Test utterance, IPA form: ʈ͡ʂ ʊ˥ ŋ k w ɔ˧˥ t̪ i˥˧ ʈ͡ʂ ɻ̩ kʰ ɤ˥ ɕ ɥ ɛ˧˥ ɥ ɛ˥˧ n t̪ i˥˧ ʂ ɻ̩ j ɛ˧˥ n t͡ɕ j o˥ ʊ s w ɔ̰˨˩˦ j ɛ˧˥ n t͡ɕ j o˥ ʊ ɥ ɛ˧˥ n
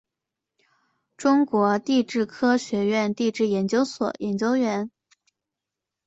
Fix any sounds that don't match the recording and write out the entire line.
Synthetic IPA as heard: ʈ͡ʂ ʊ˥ ŋ k w ɔ˧˥ t̪ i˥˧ ʈ͡ʂ ɻ̩ kʰ ɤ˥ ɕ ɥ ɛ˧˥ ɥ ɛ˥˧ n t̪ i˥˧ ʈ͡ʂ ɻ̩ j ɛ˧˥ n t͡ɕ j o˥ ʊ s w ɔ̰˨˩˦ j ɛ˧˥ n t͡ɕ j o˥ ʊ ɥ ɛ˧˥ n